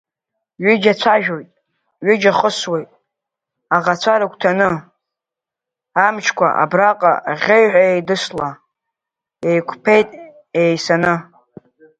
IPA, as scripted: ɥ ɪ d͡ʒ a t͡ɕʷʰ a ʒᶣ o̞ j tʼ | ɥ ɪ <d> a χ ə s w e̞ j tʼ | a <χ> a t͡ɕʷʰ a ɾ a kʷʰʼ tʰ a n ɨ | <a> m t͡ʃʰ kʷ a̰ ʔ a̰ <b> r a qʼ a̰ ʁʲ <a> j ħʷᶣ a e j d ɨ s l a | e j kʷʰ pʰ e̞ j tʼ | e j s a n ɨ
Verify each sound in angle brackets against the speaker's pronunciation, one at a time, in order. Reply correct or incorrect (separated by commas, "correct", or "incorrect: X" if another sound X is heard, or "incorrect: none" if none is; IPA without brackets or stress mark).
incorrect: d͡ʒ, incorrect: ʁ, correct, correct, incorrect: e